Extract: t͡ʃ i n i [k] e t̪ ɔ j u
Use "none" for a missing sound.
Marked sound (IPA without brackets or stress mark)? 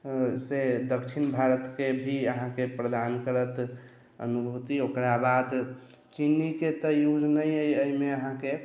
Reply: k